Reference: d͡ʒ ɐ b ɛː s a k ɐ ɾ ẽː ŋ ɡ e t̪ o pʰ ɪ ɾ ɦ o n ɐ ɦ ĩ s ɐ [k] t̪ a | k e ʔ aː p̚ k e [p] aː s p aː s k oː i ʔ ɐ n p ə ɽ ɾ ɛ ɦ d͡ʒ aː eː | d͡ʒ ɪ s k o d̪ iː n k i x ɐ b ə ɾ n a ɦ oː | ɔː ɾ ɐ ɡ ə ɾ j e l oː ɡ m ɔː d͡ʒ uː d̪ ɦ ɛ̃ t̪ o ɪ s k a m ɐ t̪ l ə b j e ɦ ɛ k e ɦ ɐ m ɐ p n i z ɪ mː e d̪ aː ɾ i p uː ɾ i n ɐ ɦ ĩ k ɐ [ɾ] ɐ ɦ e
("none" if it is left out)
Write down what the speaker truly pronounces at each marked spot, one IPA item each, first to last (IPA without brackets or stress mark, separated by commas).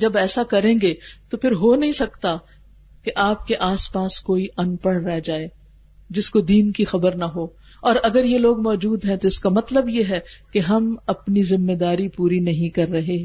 k, ʔ, ɾː